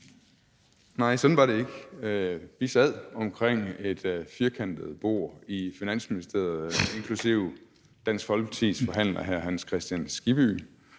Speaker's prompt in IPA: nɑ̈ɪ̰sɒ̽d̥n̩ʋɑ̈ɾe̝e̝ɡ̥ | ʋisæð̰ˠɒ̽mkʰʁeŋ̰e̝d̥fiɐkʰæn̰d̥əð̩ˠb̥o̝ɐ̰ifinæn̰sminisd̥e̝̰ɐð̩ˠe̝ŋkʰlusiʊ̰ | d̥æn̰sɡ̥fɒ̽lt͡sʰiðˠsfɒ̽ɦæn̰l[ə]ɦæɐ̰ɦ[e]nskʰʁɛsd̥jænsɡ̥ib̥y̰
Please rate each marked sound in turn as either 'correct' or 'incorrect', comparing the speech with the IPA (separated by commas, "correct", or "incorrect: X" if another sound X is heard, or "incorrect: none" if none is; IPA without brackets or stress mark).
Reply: incorrect: ɐ, incorrect: æ